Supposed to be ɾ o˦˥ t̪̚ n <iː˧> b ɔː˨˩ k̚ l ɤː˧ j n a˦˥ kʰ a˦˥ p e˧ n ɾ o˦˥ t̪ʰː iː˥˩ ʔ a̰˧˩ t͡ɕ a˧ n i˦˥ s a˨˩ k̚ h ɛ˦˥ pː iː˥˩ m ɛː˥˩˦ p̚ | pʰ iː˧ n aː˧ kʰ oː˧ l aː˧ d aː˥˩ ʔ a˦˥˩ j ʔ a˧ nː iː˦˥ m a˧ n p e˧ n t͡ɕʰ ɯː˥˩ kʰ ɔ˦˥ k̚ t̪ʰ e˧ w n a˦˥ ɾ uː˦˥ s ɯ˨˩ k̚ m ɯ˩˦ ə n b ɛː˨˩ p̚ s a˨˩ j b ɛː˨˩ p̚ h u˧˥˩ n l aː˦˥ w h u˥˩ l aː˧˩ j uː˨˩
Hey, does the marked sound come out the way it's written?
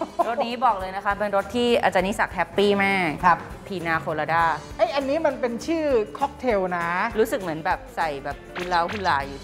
no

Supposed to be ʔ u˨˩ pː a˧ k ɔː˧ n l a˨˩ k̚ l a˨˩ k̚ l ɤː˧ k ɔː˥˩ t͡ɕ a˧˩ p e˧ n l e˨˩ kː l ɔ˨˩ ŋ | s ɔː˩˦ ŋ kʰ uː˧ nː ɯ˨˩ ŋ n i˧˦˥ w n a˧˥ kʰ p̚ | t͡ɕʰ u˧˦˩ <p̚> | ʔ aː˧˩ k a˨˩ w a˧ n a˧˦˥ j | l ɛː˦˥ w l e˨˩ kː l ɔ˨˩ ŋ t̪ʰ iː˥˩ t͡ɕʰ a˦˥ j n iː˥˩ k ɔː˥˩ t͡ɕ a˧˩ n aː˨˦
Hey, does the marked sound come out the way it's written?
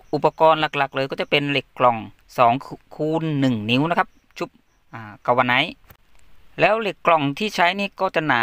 yes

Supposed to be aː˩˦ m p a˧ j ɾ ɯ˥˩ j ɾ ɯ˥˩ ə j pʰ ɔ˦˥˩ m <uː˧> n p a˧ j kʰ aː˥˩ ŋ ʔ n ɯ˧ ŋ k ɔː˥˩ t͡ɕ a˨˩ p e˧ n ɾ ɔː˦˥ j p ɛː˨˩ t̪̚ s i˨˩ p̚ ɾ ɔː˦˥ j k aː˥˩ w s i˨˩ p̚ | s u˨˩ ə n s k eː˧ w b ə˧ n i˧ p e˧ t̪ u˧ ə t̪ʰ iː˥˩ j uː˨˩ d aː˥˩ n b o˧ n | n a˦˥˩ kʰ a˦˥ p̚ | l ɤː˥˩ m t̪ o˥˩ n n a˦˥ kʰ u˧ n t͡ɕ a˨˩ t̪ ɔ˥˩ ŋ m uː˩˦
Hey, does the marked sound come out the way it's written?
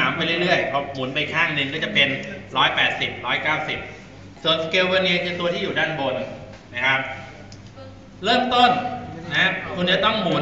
no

